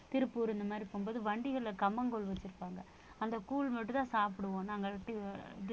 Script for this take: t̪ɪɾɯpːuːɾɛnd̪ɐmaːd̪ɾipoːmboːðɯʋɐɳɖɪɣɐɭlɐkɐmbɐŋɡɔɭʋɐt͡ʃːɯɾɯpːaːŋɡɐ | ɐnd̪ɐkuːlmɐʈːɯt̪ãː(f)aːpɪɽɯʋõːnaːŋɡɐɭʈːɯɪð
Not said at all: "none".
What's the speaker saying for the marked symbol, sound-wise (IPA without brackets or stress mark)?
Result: s